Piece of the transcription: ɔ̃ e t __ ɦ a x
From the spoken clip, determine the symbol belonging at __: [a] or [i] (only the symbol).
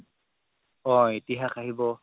i